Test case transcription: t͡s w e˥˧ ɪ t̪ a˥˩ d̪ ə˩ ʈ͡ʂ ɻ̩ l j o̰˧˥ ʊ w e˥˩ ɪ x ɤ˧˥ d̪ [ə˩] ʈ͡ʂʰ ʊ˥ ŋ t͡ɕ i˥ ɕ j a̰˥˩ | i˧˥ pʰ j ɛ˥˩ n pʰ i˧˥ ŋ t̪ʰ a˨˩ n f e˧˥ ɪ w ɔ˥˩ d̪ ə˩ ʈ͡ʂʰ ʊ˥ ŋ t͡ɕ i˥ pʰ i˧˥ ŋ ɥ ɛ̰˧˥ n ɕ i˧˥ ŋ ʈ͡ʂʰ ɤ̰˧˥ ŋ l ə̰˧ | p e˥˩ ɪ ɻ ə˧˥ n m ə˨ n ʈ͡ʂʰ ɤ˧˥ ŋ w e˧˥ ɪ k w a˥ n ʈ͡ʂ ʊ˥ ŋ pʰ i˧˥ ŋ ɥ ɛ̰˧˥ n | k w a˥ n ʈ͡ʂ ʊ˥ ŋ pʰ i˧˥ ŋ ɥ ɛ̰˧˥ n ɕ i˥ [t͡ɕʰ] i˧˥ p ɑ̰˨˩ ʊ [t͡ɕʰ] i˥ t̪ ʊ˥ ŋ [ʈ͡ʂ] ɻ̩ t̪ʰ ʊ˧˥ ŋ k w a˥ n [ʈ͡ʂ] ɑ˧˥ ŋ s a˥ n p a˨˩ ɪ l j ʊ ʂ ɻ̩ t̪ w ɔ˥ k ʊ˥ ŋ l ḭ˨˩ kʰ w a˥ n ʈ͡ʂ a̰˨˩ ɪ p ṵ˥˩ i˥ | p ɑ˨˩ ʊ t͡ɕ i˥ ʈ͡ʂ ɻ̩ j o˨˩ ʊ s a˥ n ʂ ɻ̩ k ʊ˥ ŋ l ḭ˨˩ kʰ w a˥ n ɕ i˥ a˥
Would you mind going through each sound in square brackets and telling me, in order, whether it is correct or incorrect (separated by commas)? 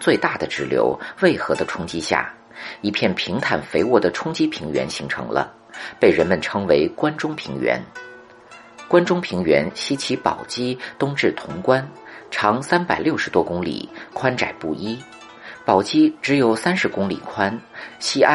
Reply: incorrect, correct, incorrect, correct, incorrect